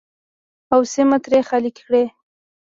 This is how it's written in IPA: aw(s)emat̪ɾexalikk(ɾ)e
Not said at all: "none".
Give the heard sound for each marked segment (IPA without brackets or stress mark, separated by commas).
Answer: s, ɽ